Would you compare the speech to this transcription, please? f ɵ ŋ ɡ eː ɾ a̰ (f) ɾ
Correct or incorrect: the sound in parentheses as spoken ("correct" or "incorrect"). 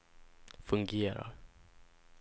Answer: incorrect